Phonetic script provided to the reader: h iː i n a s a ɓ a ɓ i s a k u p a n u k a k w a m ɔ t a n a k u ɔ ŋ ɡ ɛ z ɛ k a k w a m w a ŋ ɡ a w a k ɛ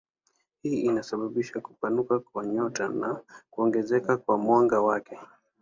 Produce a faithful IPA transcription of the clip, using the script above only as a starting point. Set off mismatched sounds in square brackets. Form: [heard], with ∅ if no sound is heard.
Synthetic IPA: h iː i n a s a ɓ a ɓ i [ʃ] a k u p a n u k a k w a [ɲ] ɔ t a n a k u ɔ ŋ ɡ ɛ z ɛ k a k w a m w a ŋ ɡ a w a k ɛ